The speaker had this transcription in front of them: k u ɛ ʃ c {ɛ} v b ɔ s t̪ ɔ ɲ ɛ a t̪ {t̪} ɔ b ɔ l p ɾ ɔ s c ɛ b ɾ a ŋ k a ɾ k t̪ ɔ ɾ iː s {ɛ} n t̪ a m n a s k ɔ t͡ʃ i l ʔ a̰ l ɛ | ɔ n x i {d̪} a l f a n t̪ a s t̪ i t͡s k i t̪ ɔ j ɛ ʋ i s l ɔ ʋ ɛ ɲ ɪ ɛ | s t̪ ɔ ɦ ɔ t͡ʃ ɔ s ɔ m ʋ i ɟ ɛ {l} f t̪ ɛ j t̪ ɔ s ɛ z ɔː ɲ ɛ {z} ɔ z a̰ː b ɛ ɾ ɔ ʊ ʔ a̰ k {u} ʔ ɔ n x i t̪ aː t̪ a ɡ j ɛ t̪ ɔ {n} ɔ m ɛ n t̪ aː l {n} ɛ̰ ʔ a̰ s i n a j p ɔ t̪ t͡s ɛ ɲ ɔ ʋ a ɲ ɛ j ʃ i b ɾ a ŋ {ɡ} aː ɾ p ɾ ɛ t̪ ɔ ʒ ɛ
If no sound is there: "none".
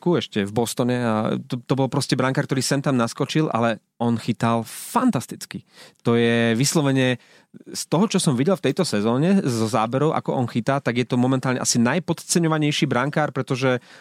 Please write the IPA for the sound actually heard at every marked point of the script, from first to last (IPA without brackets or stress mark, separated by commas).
ɛ, t̪, ɛ, t̪, l, z, ɔ, m, ɲ, k